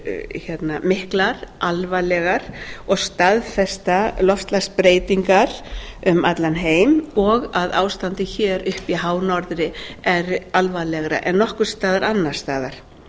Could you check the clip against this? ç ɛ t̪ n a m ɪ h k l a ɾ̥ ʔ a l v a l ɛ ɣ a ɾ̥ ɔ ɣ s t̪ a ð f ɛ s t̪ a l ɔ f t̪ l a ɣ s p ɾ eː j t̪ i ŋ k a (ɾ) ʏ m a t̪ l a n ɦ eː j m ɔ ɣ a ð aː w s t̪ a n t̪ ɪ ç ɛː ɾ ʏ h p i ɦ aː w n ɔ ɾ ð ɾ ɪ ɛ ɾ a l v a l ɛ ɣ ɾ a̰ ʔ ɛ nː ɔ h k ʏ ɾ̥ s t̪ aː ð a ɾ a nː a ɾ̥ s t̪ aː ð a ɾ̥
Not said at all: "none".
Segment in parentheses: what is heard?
ɾ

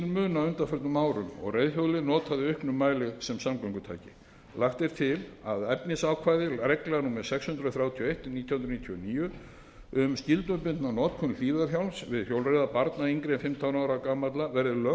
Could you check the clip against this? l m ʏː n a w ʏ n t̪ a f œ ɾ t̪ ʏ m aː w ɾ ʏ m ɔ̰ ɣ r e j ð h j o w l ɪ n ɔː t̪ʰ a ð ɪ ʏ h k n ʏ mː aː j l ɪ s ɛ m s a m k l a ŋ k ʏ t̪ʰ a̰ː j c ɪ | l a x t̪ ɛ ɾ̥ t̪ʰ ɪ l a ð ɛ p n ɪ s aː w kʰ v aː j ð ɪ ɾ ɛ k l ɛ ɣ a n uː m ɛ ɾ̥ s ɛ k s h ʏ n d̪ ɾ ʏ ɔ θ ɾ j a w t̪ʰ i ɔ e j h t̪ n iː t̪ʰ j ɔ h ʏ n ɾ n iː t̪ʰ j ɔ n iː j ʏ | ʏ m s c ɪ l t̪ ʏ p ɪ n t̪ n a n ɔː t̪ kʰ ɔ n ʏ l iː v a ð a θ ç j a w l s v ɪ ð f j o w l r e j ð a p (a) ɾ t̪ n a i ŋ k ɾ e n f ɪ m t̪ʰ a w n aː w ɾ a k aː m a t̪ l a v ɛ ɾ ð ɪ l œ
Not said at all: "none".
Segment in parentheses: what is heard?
a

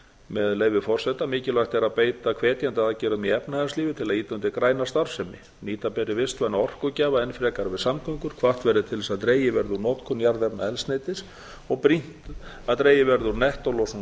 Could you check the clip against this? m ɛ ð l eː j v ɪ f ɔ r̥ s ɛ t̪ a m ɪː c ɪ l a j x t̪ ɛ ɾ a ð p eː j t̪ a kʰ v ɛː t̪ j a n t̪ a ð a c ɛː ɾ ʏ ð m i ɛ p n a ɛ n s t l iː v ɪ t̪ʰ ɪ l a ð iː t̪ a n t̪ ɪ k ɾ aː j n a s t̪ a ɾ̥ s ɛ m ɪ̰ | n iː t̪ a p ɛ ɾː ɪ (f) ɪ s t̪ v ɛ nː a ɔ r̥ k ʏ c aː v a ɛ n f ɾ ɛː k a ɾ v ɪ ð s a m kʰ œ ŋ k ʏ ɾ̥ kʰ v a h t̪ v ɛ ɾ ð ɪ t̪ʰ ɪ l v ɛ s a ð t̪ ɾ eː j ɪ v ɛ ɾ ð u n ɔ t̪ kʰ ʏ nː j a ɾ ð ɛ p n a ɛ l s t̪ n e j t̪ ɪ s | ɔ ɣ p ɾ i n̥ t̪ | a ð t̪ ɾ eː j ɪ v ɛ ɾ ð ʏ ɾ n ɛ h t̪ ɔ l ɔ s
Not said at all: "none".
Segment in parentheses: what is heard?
v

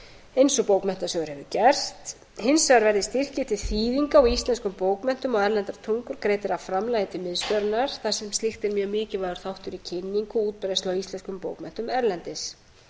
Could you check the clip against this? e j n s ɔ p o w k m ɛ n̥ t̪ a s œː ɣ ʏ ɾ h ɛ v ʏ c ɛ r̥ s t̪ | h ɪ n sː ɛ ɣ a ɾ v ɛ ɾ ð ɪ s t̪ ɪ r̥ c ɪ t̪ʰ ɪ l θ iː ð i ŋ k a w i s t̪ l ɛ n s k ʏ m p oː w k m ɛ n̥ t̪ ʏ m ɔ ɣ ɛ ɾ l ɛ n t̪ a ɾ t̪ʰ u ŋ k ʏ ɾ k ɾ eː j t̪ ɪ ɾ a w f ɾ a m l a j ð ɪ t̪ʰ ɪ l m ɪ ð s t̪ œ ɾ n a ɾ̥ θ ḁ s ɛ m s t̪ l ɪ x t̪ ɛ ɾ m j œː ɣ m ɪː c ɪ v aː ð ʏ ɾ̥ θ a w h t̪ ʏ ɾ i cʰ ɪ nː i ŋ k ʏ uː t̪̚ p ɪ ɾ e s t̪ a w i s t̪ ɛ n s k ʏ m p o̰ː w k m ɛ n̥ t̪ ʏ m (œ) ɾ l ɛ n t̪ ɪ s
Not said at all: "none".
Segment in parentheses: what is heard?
ɛ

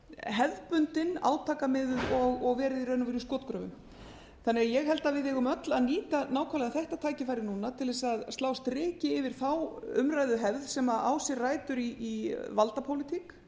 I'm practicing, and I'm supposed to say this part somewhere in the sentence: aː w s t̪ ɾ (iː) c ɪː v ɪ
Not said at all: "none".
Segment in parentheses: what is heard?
ɪː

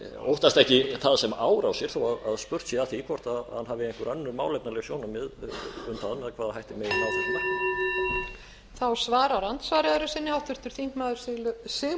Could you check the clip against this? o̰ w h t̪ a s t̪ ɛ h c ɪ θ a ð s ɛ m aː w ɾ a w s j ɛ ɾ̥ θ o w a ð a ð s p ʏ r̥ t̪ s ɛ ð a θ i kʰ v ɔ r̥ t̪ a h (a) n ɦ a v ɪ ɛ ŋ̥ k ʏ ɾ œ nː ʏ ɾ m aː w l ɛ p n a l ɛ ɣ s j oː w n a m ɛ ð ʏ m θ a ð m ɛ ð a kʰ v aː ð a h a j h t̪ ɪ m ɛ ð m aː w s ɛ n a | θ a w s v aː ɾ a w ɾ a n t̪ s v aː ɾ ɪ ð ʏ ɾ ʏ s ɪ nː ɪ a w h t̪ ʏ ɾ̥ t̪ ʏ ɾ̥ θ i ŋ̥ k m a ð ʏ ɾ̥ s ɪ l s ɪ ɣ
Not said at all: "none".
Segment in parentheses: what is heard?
a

